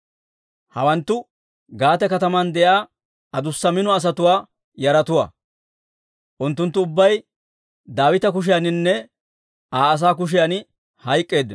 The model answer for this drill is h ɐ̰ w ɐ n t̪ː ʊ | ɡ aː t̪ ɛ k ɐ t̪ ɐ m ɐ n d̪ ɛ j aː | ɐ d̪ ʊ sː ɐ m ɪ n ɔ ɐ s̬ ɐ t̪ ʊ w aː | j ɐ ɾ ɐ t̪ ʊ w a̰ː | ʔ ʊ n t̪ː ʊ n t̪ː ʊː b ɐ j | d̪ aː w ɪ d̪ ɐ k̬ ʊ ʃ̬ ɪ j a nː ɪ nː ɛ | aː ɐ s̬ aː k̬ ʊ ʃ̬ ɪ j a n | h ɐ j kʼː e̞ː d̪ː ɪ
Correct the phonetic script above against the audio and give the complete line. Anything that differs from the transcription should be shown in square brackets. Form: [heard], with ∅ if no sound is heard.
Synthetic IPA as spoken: h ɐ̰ w ɐ n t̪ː ʊ | ɡ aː t̪ ɛ k ɐ t̪ ɐ m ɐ n d̪ ɛ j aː | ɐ d̪ ʊ sː ɐ m ɪ n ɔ ɐ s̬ ɐ t̪ ʊ w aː | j ɐ ɾ ɐ t̪ ʊ w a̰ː | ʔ ʊ n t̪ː ʊ n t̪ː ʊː [bː] ɐ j | d̪ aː w ɪ [t̪] ɐ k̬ ʊ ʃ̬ ɪ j a [n] ɪ nː ɛ | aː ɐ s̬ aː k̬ ʊ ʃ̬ ɪ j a n | h ɐ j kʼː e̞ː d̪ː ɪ